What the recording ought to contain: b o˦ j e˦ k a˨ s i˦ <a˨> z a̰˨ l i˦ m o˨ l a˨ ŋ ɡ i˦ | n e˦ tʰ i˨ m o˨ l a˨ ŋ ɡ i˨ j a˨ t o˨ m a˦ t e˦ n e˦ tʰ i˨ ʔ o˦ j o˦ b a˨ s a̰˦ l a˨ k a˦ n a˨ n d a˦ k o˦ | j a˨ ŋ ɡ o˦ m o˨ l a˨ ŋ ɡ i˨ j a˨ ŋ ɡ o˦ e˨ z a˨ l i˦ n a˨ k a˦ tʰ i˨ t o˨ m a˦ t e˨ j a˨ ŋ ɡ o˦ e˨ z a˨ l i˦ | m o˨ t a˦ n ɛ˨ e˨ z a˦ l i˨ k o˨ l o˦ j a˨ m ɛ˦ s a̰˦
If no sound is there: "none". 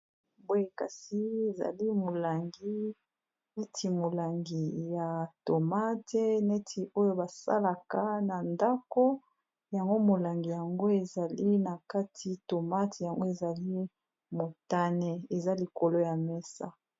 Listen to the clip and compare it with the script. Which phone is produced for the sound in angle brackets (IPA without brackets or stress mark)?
e˨